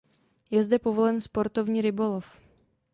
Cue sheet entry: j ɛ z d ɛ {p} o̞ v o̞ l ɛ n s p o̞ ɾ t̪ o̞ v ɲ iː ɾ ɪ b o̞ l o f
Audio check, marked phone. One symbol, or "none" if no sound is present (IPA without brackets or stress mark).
p